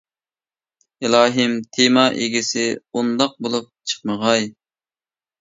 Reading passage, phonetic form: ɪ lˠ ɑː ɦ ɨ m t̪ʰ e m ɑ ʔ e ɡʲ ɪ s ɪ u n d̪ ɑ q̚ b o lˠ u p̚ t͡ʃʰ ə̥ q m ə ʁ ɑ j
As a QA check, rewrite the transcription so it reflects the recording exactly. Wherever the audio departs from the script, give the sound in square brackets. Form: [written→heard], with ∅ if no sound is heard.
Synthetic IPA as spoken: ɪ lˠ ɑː ɦ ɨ m t̪ʰ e m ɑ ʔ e ɡʲ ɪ s ɪ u n d̪ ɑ q̚ b o lˠ u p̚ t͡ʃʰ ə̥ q m ə ʁ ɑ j